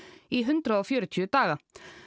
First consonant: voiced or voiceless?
voiced